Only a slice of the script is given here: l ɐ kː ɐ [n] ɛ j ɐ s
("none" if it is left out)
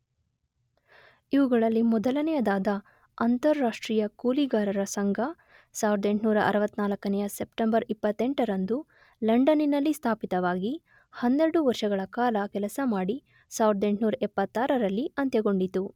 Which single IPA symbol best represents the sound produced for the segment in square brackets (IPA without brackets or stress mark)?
n